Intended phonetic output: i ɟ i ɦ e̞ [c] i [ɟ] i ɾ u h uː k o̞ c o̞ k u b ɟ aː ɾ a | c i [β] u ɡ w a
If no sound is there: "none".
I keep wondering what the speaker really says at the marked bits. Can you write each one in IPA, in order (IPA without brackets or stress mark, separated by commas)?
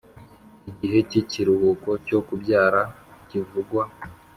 c, c, v